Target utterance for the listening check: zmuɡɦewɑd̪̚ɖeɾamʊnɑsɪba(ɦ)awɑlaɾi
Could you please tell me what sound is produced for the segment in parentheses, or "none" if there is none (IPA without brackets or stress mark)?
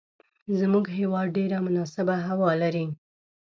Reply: ɦ